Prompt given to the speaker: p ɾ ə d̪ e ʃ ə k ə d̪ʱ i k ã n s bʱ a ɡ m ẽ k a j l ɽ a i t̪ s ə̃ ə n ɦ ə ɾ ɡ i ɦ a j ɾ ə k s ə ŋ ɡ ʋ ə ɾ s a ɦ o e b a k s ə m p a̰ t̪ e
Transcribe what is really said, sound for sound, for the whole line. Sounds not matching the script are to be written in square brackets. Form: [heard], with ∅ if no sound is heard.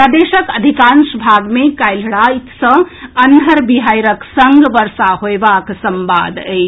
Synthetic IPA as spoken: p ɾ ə d̪ e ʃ ə k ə d̪ʱ i k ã n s bʱ a ɡ m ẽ k a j l ɽ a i t̪ s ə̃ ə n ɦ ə ɾ [b] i ɦ a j ɾ ə k s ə ŋ ɡ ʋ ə ɾ s a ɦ o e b a k s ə m [b] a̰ [d̪] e